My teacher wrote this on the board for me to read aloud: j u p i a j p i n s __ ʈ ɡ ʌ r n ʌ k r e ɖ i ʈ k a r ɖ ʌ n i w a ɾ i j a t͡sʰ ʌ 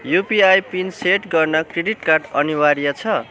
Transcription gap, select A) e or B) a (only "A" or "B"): A